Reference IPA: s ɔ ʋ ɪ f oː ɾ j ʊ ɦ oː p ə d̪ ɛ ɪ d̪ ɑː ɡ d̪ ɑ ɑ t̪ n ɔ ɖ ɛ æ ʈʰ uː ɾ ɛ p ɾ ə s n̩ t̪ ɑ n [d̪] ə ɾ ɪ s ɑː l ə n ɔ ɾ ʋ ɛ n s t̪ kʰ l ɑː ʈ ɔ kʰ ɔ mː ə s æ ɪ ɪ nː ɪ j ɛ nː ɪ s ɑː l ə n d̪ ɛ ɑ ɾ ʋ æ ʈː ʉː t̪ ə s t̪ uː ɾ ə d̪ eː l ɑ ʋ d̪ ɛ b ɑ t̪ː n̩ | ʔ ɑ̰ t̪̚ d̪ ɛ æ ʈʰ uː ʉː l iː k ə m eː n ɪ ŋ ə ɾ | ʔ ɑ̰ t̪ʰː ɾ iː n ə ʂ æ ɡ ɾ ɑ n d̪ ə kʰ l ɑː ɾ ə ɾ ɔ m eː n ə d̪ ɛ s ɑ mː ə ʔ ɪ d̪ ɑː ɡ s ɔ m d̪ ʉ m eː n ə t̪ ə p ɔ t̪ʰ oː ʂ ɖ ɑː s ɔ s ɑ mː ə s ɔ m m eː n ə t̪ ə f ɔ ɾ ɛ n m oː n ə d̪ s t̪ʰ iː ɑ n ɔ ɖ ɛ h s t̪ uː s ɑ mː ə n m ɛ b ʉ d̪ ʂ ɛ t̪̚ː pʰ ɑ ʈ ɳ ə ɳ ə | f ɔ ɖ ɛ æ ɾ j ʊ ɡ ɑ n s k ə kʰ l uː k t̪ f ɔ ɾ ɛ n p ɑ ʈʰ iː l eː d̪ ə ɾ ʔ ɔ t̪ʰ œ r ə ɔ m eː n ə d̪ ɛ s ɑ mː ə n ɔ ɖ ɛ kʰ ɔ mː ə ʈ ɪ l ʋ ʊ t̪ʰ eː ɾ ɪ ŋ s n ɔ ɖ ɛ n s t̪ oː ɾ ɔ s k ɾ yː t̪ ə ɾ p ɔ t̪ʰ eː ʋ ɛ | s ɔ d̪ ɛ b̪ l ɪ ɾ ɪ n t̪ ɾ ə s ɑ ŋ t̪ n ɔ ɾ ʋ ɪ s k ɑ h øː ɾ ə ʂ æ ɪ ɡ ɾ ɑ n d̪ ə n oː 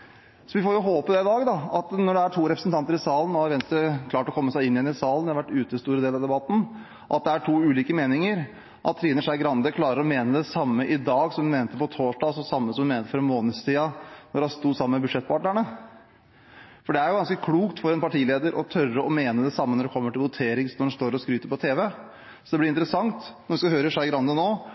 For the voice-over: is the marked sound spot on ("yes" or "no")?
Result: no